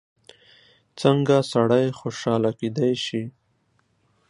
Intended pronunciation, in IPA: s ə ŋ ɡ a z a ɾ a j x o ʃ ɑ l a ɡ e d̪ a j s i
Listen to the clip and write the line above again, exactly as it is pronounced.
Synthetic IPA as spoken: t͡s ə ŋ ɡ a s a ɽ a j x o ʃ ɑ l a k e d̪ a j ʃ i

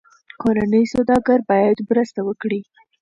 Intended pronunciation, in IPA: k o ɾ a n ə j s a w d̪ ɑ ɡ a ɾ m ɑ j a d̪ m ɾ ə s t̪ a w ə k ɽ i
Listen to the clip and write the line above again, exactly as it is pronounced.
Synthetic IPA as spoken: k o ɾ a n ə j s a w d̪ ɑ ɡ a ɾ b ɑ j a d̪ m ɾ ə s t̪ a w ə k ɽ i

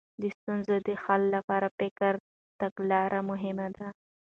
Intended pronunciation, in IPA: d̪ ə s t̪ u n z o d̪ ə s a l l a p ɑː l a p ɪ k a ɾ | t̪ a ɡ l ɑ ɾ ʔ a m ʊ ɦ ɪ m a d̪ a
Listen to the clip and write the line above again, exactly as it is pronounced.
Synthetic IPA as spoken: d̪ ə s t̪ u n z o d̪ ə x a l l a p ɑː ɾ a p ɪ k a ɾ | t̪ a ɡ l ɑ ɾ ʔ a m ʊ ɦ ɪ m a d̪ a

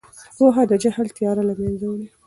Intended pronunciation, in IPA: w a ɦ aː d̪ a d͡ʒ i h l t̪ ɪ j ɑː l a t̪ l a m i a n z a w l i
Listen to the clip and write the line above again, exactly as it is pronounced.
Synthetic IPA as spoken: w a ɦ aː d̪ a d͡ʒ a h l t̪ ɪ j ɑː ɾ a l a m j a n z a w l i

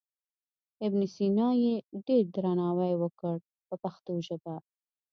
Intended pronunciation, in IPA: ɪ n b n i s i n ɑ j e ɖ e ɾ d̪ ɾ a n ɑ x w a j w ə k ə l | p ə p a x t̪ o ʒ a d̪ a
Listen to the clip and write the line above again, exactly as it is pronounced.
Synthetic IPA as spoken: ɪ b n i s i n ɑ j e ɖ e ɾ d̪ ɾ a n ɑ w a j w ə k ə ɽ | p ə p a x t̪ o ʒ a d̪ a

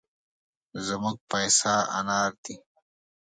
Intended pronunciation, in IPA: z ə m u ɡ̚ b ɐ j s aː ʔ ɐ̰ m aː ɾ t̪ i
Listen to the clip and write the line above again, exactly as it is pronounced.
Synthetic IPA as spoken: z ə m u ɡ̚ p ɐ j s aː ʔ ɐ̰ n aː ɾ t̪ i

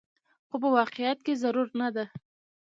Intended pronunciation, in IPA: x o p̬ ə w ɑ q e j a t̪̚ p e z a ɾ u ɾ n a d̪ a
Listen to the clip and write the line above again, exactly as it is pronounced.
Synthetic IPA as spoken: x o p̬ ə w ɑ q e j a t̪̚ k e z a ɾ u ɾ n a d̪ a

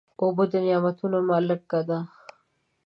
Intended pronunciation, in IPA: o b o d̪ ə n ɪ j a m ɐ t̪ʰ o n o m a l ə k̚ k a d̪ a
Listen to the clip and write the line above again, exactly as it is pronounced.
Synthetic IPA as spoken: o b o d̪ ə n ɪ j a m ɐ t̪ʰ u n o m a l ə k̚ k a d̪ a

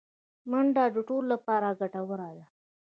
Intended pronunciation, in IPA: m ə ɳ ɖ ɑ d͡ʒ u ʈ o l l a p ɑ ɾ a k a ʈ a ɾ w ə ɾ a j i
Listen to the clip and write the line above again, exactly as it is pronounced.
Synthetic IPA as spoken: m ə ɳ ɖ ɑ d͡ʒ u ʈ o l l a p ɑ ɾ a ɡ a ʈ a w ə ɾ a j a

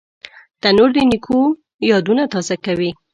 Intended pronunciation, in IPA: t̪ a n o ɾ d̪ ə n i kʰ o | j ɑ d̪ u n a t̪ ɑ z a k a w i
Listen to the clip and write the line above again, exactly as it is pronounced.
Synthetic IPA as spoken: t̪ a n o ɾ d̪ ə n i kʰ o | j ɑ d̪ u n a t̪ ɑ z a k a w i

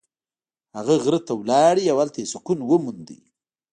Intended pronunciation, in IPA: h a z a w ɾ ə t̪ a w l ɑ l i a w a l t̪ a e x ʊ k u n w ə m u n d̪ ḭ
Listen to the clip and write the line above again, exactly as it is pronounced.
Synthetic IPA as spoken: h a ɣ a ɣ ɾ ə t̪ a w l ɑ ɽ i a w a l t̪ a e s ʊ k u n w ə m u n d̪ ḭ

